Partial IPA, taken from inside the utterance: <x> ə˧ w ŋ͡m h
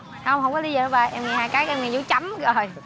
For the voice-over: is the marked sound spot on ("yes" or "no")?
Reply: no